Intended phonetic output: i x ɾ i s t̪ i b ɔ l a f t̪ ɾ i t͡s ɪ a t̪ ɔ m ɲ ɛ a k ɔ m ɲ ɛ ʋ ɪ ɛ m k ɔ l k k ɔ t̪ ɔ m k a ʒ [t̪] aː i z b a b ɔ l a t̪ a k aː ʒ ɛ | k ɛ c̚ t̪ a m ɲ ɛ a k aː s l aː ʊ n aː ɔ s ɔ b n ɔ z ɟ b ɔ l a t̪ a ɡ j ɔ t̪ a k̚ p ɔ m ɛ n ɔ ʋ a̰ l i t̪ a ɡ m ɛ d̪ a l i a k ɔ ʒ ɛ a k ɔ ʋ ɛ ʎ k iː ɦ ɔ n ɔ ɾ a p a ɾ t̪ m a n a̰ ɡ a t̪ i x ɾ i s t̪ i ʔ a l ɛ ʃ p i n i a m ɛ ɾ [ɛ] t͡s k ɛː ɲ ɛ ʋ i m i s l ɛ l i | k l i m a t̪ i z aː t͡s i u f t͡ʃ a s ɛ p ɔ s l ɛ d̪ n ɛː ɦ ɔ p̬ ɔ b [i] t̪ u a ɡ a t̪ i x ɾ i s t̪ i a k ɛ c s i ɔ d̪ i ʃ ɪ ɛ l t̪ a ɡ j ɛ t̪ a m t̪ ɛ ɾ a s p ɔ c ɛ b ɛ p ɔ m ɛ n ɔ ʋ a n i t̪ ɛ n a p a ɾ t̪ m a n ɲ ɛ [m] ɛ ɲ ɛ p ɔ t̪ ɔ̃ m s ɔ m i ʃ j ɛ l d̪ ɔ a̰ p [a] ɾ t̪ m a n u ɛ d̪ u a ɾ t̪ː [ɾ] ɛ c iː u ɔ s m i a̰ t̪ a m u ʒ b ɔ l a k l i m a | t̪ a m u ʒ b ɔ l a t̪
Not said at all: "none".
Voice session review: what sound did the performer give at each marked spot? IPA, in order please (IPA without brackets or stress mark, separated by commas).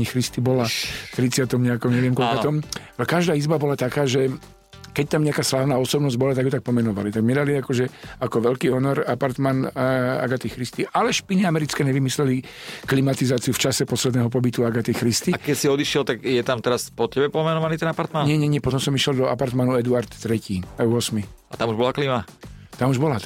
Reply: d̪, i, i, ɲ, a, ɾ